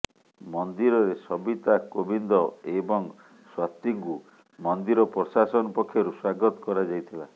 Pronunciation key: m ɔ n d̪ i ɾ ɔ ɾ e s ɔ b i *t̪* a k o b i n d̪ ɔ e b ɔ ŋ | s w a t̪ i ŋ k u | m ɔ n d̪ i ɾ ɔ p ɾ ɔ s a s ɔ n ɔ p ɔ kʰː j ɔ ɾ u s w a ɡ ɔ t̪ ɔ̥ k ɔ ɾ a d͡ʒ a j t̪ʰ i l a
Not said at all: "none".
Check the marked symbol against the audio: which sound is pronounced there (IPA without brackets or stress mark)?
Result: t̪